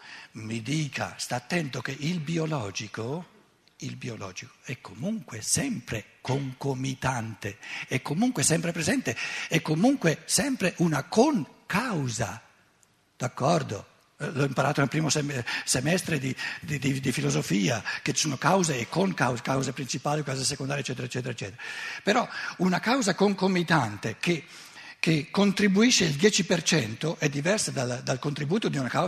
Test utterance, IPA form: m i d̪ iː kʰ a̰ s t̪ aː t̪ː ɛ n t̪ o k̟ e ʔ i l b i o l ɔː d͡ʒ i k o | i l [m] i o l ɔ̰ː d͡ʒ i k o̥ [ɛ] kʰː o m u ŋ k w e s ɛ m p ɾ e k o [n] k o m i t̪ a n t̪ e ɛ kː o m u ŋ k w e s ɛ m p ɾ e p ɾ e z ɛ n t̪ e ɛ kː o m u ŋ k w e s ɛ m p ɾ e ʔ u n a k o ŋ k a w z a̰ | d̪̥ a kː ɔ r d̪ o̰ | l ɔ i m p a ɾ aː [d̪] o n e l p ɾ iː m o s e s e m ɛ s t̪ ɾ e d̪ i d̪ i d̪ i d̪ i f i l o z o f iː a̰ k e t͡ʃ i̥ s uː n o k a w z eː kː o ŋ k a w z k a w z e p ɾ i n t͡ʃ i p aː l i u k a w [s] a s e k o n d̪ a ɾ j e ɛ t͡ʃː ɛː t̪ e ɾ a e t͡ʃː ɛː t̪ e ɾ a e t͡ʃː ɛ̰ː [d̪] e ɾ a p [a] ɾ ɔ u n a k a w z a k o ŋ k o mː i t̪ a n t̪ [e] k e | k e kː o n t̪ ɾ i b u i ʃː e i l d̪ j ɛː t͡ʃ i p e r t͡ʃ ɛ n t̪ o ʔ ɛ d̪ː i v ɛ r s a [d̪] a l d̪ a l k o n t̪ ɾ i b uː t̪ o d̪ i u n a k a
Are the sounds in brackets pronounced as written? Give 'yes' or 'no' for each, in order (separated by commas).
no, yes, no, no, no, no, no, yes, yes